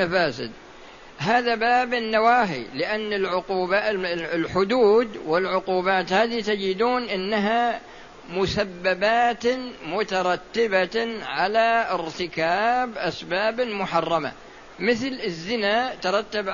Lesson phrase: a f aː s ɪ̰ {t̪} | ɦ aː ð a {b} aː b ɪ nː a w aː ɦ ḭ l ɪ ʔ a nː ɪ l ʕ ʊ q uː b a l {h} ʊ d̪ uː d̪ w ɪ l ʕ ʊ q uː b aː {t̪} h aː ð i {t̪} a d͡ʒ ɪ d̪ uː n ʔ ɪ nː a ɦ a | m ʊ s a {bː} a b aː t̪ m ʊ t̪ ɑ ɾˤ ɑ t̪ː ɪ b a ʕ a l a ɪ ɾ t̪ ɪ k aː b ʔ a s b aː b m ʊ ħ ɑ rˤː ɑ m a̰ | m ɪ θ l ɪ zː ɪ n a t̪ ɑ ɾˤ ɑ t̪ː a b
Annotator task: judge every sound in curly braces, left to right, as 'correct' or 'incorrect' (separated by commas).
incorrect, correct, incorrect, correct, correct, correct